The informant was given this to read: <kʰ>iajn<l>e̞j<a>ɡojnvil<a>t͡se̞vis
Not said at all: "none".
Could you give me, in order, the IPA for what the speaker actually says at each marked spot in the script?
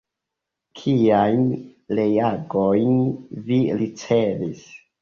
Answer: kʰ, l, a, i

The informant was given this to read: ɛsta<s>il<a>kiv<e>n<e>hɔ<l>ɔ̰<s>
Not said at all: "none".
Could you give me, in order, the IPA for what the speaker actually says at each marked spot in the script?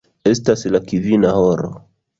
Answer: s, a, i, a, ɾ, none

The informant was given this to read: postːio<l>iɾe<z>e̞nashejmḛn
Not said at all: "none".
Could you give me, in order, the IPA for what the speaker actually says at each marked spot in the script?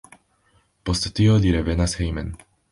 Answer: l, v

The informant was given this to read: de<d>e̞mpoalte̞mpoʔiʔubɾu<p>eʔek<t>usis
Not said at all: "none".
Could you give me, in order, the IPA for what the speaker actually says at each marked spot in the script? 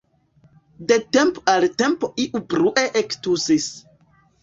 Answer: t, ʔ, t

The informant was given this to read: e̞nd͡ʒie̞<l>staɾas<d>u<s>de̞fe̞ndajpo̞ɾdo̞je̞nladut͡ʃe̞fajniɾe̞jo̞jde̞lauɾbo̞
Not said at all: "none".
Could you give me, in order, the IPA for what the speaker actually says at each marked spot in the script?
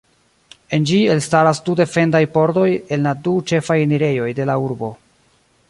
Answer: l, d, none

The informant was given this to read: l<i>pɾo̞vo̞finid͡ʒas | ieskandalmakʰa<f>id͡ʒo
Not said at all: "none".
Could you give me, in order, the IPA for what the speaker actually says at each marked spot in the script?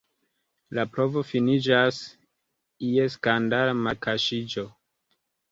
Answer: a, ʃ

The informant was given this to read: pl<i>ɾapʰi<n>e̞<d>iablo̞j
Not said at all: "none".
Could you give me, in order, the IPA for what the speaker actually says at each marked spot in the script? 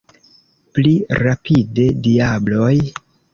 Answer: i, d, d

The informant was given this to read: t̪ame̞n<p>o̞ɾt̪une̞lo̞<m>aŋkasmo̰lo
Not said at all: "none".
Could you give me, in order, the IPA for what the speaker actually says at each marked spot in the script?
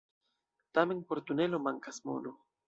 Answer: p, m

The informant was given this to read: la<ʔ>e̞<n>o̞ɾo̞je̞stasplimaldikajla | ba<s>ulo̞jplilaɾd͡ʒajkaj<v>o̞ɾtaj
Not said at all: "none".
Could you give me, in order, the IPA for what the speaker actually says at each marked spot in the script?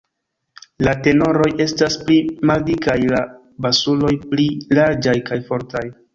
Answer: t, n, s, f

